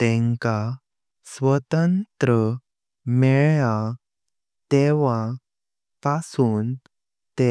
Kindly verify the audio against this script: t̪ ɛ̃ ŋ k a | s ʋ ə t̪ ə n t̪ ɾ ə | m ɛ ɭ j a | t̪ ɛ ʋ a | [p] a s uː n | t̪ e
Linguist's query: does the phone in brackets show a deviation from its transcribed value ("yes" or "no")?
no